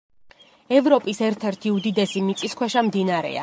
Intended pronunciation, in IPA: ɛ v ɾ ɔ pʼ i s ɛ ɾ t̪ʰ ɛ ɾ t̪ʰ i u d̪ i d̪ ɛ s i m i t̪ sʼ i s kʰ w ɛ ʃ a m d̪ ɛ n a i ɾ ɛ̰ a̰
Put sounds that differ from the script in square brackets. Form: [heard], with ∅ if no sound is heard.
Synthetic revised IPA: ɛ v ɾ ɔ pʼ i s ɛ ɾ t̪ʰ ɛ ɾ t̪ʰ i u d̪ i d̪ ɛ s i m i t̪ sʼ i s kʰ w ɛ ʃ a m d̪ [i] n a [a] ɾ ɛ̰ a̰

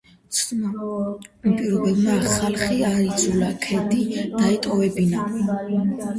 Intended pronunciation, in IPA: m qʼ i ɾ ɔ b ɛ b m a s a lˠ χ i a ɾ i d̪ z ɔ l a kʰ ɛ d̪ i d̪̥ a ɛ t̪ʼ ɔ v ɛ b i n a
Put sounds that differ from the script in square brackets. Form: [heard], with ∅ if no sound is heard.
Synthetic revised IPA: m [pʼ] i ɾ ɔ b ɛ b m a [χ] a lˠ χ i a ɾ i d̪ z [u] l a kʰ ɛ d̪ i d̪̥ a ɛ t̪ʼ ɔ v ɛ b i n a

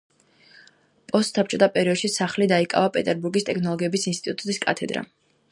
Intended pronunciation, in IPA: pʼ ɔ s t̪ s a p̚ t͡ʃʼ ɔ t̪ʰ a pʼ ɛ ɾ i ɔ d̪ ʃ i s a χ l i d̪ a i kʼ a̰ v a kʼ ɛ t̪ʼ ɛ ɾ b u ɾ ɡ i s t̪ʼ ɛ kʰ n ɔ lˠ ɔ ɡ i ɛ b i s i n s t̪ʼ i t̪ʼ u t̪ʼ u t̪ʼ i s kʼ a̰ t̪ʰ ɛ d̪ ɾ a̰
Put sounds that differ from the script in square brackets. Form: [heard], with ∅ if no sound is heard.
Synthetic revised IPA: pʼ ɔ s t̪ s a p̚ t͡ʃʼ ɔ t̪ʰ a pʼ ɛ ɾ i ɔ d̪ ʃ i s a χ l i d̪ a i kʼ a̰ v a [pʼ] ɛ t̪ʼ ɛ ɾ b u ɾ ɡ i s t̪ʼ ɛ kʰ n ɔ lˠ ɔ ɡ i ɛ b i s i n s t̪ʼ i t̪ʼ u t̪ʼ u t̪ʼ i s kʼ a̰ t̪ʰ ɛ d̪ ɾ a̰

